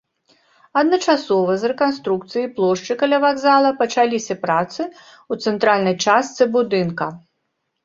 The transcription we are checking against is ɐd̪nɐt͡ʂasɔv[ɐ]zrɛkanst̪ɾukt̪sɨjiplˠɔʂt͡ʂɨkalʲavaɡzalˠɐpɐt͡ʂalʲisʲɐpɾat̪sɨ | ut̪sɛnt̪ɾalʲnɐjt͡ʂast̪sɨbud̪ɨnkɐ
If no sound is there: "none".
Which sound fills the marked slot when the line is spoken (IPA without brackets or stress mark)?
ɐ